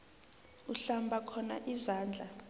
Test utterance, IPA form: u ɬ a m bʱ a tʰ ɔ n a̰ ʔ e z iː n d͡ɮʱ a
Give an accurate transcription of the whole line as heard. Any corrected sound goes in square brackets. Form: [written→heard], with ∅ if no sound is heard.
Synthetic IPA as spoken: u ɬ a m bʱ a [tʰ→kʰ] ɔ n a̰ ʔ [e→i] z [iː→aː] n d͡ɮʱ a